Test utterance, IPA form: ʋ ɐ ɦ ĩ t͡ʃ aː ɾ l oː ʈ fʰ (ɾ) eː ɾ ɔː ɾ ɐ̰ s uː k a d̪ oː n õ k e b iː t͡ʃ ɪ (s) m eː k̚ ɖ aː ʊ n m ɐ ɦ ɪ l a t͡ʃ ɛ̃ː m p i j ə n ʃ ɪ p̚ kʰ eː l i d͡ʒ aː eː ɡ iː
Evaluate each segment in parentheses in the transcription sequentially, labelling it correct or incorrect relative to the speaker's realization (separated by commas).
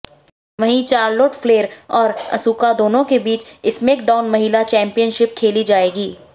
incorrect, correct